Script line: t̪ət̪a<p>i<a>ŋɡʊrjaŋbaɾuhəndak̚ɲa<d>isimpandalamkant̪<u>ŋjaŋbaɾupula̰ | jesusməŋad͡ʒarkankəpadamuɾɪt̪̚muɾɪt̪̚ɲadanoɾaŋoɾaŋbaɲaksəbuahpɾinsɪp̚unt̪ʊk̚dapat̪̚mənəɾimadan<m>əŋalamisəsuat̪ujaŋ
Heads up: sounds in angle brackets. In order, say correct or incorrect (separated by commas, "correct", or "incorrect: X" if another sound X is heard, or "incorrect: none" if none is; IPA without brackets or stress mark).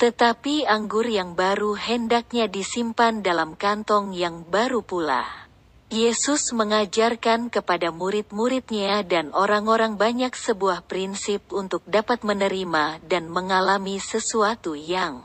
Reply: correct, correct, correct, incorrect: ɔ, correct